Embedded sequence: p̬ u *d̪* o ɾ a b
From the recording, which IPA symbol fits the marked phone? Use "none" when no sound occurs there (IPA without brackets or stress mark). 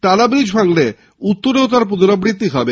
d̪